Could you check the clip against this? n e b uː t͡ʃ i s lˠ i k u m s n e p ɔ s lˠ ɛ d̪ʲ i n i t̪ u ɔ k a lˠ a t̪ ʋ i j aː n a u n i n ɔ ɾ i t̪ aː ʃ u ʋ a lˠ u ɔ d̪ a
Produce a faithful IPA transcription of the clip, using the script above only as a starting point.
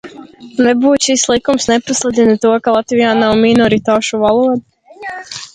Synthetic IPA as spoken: n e b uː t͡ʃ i s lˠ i k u m s n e p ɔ s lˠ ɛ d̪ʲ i n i t̪ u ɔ k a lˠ a t̪ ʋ i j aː n a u m i n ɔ ɾ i t̪ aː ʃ u ʋ a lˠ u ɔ d̪ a